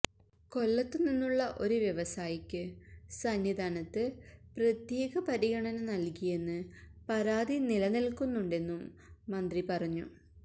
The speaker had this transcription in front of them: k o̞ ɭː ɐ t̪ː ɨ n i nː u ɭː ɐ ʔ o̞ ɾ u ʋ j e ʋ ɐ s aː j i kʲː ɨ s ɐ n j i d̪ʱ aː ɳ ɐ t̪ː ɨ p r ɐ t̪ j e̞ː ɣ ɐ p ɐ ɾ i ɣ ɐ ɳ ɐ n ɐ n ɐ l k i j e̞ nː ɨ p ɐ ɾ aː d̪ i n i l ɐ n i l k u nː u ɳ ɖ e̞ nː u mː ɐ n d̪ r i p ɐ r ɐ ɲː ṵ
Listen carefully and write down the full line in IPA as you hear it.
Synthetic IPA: k o̞ lː ɐ t̪ː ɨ n i nː u ɭː ɐ ʔ o̞ ɾ u ʋ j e ʋ ɐ s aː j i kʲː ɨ s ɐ n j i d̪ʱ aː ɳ ɐ t̪ː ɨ p r ɐ t̪ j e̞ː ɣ ɐ p ɐ ɾ i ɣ ɐ ɳ ɐ n ɐ n ɐ l k i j e̞ nː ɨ p ɐ ɾ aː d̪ i n i l ɐ n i l k u nː u ɳ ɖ e̞ nː u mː ɐ n d̪ r i p ɐ r ɐ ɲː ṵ